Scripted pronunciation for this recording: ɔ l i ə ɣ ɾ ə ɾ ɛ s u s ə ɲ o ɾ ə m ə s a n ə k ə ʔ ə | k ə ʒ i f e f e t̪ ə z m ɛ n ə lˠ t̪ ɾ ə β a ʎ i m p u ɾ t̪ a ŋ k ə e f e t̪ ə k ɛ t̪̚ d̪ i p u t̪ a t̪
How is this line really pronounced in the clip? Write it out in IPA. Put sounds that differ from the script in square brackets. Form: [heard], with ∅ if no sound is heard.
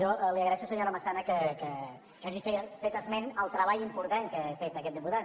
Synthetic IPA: ɔ l i ə ɣ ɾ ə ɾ ɛ [ʃ] u s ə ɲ o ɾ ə m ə s a n ə k ə [k] ə | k [a] ʒ i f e f e t̪ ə z m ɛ n ə lˠ t̪ ɾ ə β a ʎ i m p u ɾ t̪ a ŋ k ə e f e t̪ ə k ɛ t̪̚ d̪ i p u t̪ a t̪